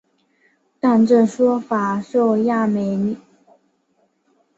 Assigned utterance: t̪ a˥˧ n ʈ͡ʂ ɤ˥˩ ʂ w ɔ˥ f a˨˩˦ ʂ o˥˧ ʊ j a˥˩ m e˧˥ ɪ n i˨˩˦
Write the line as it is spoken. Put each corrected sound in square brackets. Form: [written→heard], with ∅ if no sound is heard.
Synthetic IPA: t̪ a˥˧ n ʈ͡ʂ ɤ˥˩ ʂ w ɔ˥ f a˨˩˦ ʂ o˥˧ ʊ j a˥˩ m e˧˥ ɪ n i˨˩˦